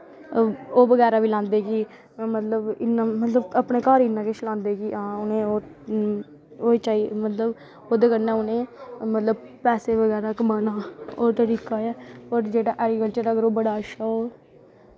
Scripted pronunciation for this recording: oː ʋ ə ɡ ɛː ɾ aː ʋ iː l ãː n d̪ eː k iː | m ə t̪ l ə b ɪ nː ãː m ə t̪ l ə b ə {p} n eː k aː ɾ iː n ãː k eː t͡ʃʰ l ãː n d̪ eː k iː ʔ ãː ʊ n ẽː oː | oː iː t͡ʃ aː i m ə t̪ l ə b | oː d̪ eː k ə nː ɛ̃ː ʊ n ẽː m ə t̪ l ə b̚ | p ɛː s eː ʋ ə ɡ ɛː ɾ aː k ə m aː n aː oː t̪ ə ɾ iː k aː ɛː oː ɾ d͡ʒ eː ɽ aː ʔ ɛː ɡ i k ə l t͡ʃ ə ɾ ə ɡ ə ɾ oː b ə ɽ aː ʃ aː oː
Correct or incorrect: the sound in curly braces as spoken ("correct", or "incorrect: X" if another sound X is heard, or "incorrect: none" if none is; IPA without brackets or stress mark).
correct